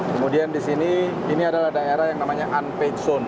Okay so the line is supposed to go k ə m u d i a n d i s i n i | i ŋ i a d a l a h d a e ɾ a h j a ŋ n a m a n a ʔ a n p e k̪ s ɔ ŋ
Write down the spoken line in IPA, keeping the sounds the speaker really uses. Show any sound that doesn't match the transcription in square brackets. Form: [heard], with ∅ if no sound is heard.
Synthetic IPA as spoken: k ə m u d i a n d i s i n i | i [n] i a d a l a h d a e ɾ a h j a ŋ n a m a [ɲ] a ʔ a n p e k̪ s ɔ [n]